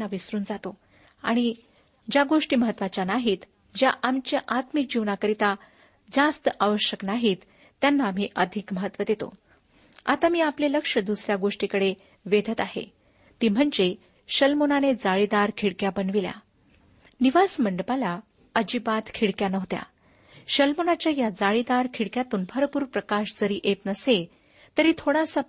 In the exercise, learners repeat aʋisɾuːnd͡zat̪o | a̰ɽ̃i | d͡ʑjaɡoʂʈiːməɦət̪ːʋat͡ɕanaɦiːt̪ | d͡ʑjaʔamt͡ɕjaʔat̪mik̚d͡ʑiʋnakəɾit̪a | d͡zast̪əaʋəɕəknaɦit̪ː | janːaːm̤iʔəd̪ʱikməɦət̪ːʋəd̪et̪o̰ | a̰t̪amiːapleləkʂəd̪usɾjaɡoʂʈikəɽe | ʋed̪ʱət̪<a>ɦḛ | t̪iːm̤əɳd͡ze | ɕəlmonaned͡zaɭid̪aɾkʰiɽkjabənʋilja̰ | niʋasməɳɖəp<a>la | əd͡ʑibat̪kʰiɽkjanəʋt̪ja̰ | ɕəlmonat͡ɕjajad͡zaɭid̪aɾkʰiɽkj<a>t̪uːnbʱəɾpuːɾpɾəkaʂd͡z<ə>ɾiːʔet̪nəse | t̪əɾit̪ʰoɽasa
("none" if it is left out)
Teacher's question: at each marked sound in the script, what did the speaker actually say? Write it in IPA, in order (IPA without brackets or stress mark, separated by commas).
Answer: a, a, a, ə